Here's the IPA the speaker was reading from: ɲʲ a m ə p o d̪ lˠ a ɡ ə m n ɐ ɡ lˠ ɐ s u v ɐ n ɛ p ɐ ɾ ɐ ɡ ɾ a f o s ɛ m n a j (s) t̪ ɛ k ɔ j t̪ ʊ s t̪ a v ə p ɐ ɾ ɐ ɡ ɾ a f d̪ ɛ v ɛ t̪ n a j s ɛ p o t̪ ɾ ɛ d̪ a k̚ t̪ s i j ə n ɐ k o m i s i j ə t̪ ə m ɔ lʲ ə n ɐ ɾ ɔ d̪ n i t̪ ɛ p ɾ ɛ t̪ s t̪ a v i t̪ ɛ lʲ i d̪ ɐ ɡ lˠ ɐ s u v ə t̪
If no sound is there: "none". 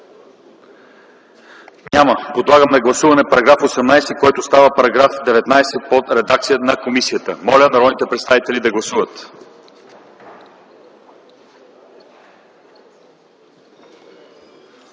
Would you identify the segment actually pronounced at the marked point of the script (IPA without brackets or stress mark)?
s